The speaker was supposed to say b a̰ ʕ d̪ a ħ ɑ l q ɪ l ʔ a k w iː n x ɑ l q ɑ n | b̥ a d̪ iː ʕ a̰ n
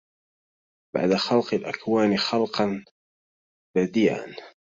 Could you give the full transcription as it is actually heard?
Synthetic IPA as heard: b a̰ ʕ d̪ a x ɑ l q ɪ l ʔ a k w aː n x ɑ l q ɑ n | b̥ a d̪ iː ʕ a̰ n